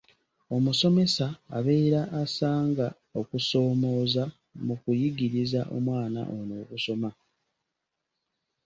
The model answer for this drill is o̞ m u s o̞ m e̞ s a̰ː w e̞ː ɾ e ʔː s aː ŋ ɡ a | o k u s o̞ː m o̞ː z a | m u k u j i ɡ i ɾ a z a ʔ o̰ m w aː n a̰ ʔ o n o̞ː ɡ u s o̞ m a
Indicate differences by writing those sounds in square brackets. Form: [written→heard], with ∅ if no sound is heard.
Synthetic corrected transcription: o̞ m u s o̞ m e̞ s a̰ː [w→β] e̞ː ɾ [e→a] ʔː s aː ŋ ɡ a | o k u s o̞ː m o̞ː z a | m u k u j i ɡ i ɾ [a→i] z a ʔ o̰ m w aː n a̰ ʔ o n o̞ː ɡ u s o̞ m a

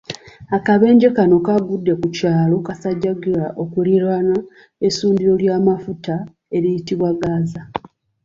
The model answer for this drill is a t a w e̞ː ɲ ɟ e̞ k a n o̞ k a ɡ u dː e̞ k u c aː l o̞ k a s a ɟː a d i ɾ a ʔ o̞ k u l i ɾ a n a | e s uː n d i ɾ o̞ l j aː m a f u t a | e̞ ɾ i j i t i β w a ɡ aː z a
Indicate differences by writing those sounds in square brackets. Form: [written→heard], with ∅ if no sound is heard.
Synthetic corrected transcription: a [t→k] a [w→β] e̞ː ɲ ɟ e̞ k a n o̞ k a ɡ u dː e̞ k u c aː l o̞ k a s a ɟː a [d→ɡ] i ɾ a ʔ o̞ k u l i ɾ a n a | e s uː n d i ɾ o̞ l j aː m a f u t a | e̞ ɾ i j i t i β w a ɡ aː z a

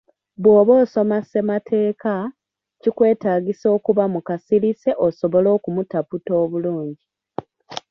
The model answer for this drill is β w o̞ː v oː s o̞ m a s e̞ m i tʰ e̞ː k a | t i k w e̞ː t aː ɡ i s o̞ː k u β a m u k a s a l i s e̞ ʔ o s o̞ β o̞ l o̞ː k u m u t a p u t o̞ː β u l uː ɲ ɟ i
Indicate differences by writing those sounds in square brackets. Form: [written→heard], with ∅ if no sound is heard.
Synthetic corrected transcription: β w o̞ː [v→β] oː s o̞ m a s e̞ m [i→a] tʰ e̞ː k a | [t→c] i k w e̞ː t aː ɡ i s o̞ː k u β a m u k a s [a→i] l i s e̞ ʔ o s o̞ β o̞ l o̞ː k u m u t a p u t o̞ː β u l uː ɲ ɟ i

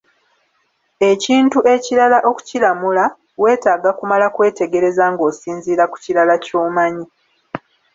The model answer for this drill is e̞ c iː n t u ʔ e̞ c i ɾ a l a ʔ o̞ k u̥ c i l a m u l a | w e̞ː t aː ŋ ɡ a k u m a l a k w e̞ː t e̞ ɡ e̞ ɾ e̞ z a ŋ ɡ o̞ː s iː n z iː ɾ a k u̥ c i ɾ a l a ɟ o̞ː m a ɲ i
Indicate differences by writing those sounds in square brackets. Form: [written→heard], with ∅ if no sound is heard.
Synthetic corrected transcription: e̞ c iː n t u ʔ e̞ c i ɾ a l a ʔ o̞ k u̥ c i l a m u l a | w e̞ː t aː [ŋ→∅] ɡ a k u m a l a k w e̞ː t e̞ ɡ e̞ ɾ e̞ z a ŋ ɡ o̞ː s iː n z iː ɾ a k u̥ c i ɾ a l a [ɟ→c] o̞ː m a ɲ i

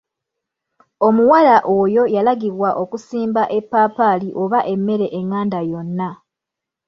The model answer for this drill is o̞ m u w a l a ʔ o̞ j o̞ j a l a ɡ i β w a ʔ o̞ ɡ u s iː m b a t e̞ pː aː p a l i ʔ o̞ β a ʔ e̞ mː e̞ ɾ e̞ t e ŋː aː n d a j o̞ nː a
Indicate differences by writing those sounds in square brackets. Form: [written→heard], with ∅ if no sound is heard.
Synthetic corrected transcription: o̞ m u w a l a ʔ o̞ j o̞ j a l a ɡ i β w a ʔ o̞ [ɡ→k] u s iː m b a [t→ʔ] e̞ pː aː p a l i ʔ o̞ β a ʔ e̞ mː e̞ ɾ e̞ [t→ʔ] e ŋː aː n d a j o̞ nː a

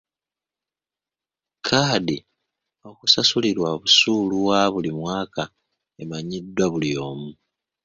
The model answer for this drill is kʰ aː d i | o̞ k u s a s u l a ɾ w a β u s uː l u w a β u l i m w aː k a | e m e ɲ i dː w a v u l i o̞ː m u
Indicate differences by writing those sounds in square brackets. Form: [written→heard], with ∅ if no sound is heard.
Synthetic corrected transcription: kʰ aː d i | o̞ k u s a s u l [a→i] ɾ w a β u s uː l u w a β u l i m w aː k a | e m [e→a] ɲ i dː w a [v→β] u l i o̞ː m u

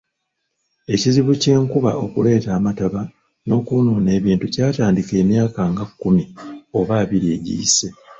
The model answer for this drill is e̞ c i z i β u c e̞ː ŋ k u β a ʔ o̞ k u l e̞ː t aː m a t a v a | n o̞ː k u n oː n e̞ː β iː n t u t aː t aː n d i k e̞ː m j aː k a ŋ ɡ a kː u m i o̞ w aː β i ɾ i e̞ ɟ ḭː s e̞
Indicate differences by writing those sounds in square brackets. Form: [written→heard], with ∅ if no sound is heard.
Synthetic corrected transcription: e̞ c i z i β u c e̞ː ŋ k u β a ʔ o̞ k u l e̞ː t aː m a t a [v→β] a | n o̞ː k u n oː n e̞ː β iː n t u [t→c] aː t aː n d i k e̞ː m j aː k a ŋ ɡ a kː u m i o̞ [w→β] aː β i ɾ i e̞ ɟ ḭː s e̞

